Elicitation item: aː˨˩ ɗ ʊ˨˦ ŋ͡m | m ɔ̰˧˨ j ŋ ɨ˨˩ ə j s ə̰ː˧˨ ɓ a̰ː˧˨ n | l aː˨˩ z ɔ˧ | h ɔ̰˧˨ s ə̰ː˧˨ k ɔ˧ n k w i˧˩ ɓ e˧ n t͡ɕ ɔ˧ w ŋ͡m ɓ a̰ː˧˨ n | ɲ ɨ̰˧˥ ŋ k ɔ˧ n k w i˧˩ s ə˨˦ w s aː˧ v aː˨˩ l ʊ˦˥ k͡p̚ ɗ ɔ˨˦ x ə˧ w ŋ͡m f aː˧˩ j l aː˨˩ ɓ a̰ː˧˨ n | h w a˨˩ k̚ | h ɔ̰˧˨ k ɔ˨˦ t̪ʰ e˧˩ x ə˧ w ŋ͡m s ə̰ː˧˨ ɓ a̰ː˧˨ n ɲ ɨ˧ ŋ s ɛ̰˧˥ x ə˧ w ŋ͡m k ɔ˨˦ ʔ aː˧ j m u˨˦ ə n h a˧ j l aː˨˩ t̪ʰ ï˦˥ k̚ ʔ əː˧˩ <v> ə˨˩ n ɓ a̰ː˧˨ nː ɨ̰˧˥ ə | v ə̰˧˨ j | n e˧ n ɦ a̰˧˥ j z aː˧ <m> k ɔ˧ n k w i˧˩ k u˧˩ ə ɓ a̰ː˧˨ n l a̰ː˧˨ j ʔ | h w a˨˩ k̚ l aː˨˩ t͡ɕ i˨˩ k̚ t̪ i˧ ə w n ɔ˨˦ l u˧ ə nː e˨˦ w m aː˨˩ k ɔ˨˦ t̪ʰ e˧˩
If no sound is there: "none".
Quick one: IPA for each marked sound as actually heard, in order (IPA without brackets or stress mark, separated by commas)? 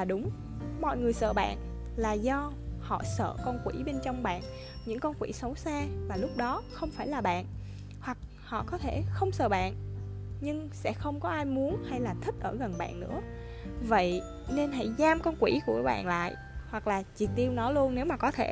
ɣ, m